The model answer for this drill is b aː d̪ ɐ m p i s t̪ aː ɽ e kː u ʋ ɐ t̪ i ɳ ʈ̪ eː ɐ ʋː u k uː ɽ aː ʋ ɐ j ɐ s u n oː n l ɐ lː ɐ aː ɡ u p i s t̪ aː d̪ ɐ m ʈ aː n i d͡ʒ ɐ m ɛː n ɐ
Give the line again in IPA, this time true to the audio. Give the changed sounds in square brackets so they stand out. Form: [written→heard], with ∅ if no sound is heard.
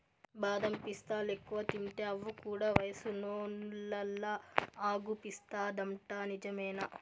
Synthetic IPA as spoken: b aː d̪ ɐ m p i s t̪ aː [ɽ→l] e kː u ʋ ɐ t̪ i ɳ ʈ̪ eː ɐ ʋː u k uː ɽ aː ʋ ɐ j ɐ s u n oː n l ɐ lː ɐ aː ɡ u p i s t̪ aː d̪ ɐ m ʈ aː n i d͡ʒ ɐ m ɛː n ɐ